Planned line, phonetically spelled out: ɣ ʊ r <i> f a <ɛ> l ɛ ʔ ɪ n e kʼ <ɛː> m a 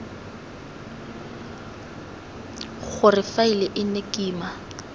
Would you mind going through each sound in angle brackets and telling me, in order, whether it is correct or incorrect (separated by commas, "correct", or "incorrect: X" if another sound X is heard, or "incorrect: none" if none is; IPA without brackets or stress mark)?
incorrect: ɪ, incorrect: i, incorrect: iː